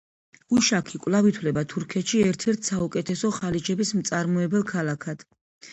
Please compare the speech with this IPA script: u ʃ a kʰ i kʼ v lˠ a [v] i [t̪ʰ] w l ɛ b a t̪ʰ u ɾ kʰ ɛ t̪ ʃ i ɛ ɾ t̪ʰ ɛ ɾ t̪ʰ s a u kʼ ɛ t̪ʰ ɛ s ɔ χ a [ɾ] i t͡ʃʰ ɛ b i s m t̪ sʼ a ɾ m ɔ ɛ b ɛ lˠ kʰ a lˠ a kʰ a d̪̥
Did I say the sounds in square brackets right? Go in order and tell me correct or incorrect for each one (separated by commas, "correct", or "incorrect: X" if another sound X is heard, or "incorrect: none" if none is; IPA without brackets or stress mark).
correct, correct, incorrect: l